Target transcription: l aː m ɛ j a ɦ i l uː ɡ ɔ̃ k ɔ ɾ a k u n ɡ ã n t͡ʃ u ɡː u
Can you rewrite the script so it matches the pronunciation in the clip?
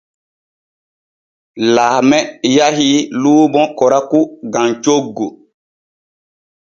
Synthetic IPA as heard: l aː m ɛ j a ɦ i l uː b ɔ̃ k ɔ ɾ a k u ɡ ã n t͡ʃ o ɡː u